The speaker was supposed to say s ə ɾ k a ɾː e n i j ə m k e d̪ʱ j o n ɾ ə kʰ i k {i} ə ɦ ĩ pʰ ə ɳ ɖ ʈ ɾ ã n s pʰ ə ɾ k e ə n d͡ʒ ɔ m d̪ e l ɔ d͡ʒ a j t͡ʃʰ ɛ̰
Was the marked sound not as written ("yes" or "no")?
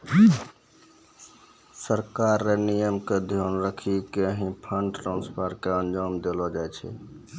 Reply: yes